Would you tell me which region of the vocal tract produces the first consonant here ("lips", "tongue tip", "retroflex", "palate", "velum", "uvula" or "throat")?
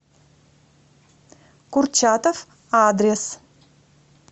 velum